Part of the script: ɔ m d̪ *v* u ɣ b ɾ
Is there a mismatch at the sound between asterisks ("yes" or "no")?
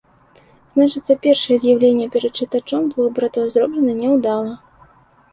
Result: no